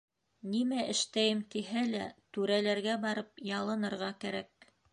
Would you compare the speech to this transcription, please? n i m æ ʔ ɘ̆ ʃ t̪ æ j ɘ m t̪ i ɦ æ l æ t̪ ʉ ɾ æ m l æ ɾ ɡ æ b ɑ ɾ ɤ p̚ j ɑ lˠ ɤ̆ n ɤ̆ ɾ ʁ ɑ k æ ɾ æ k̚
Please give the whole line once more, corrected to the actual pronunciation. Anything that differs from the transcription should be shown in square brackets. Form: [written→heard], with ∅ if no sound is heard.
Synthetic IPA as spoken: n i m æ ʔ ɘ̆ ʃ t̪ æ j ɘ m t̪ i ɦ æ l æ t̪ ʉ ɾ æ [m→∅] l æ ɾ ɡ æ b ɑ ɾ ɤ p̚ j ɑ lˠ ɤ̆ n ɤ̆ ɾ ʁ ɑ k æ ɾ æ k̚